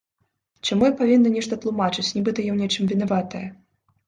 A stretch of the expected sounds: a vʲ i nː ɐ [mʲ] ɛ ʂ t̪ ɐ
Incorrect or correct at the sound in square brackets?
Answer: incorrect: nʲ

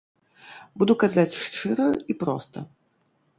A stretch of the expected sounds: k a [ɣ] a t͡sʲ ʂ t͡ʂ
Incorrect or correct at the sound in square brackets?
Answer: incorrect: z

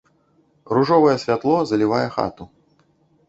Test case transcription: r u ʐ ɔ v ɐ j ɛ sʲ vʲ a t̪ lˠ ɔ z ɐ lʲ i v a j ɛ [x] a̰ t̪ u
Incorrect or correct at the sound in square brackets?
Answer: correct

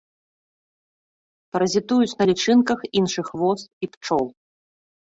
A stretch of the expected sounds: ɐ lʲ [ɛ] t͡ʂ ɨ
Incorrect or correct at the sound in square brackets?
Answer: incorrect: i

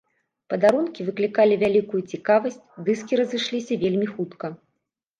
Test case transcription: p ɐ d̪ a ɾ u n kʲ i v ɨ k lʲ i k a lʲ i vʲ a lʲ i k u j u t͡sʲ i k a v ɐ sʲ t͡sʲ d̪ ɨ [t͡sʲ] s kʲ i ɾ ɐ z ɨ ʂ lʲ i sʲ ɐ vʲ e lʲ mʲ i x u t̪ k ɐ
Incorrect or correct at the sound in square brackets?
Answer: incorrect: none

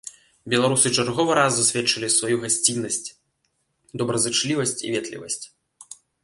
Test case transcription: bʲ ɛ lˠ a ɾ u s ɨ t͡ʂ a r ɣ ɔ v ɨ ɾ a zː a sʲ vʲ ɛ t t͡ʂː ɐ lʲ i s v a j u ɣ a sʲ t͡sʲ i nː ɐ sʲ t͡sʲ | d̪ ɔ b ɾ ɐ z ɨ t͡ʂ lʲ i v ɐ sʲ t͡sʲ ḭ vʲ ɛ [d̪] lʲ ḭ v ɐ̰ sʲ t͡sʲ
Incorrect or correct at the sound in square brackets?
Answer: incorrect: t̪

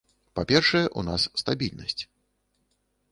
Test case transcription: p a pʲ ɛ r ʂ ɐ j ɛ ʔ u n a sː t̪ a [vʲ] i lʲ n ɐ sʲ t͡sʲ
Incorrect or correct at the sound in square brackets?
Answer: incorrect: bʲ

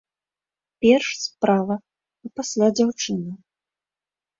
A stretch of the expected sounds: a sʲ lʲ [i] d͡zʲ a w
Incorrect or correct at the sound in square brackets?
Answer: incorrect: a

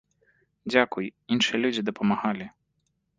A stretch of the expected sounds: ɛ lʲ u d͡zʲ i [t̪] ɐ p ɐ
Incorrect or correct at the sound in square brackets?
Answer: incorrect: d̪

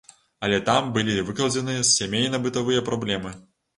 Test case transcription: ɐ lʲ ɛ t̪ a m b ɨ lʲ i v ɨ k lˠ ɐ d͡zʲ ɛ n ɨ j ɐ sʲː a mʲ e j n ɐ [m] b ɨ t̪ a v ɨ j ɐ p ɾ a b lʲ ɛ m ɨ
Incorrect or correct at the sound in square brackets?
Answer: incorrect: none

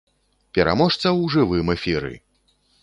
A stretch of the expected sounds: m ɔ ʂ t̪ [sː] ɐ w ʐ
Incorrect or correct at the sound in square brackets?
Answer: incorrect: s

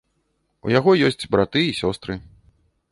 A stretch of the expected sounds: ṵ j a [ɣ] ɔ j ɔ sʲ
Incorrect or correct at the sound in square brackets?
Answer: correct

